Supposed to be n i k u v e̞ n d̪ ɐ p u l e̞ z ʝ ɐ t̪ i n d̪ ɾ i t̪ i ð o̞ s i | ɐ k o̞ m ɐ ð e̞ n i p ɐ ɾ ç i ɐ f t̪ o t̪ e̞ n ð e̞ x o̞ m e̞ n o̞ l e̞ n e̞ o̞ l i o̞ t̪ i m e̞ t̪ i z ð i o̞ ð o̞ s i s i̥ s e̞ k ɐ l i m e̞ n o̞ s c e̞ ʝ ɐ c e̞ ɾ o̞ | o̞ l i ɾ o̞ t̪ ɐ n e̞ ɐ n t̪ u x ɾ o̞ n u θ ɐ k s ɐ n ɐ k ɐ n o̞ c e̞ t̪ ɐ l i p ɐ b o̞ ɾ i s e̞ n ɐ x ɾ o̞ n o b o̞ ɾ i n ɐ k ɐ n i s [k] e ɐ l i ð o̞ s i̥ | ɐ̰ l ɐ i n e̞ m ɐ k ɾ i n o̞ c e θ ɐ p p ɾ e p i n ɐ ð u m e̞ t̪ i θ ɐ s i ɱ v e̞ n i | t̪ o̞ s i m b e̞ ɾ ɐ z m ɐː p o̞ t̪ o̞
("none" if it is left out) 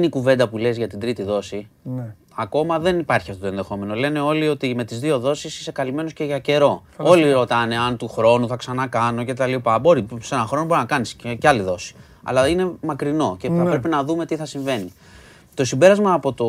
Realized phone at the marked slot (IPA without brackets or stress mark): c